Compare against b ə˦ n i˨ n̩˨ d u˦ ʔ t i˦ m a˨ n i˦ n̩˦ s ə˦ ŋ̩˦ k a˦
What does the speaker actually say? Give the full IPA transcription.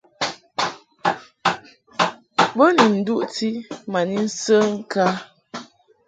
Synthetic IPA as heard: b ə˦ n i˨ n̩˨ d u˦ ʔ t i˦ m a˨ n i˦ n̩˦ s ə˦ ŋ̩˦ k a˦